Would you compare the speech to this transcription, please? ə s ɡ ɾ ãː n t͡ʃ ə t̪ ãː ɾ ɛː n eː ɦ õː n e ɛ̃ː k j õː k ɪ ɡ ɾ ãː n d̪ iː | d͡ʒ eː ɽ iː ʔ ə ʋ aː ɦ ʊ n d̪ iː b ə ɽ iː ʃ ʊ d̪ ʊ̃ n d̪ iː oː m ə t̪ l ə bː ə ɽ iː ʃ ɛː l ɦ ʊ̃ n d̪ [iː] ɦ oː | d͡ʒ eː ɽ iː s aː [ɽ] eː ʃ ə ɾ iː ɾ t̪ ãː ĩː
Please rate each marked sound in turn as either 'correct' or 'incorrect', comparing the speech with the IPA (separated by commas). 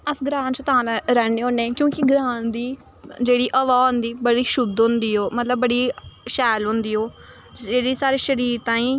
correct, incorrect